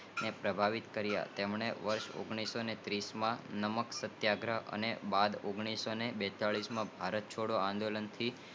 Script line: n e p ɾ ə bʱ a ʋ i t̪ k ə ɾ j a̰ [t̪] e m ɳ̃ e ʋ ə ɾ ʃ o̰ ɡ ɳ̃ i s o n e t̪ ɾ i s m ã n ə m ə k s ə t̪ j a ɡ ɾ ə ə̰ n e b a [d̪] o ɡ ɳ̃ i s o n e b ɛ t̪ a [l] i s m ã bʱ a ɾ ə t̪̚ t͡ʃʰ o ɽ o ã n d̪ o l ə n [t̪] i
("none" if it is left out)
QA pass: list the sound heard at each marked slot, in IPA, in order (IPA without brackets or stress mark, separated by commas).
t̪, d̪, ɭ, t̪ʰ